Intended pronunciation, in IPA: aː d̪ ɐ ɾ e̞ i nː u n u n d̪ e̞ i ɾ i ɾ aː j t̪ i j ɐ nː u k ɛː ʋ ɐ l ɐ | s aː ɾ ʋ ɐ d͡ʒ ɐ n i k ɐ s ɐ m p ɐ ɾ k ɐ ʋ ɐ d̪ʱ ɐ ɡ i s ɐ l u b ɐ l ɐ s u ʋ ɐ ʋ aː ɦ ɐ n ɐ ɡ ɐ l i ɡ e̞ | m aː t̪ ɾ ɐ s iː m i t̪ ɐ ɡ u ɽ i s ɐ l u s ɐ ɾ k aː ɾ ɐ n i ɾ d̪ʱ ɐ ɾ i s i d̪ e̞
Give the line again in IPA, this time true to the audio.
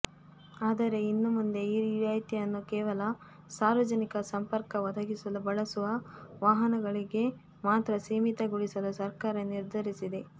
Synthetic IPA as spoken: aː d̪ ɐ ɾ e̞ i nː u m u n d̪ e̞ i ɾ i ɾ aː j t̪ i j ɐ nː u k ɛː ʋ ɐ l ɐ | s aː ɾ ʋ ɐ d͡ʒ ɐ n i k ɐ s ɐ m p ɐ ɾ k ɐ ʋ ɐ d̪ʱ ɐ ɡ i s ɐ l u b ɐ ɭ ɐ s u ʋ ɐ ʋ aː ɦ ɐ n ɐ ɡ ɐ ɭ i ɡ e̞ | m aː t̪ ɾ ɐ s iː m i t̪ ɐ ɡ u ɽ i s ɐ l u s ɐ ɾ k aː ɾ ɐ n i ɾ d̪ʱ ɐ ɾ i s i d̪ e̞